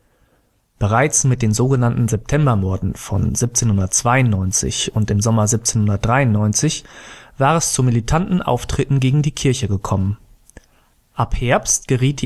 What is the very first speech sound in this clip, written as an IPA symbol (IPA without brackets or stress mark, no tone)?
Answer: b̥